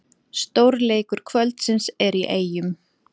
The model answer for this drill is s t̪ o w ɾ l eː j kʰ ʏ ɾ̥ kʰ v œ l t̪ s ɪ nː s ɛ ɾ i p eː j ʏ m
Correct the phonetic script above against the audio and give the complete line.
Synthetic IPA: s t̪ o w ɾ l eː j k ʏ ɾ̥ kʰ v œ l t̪ s ɪ n s ɛ ɾ i ʔ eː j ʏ m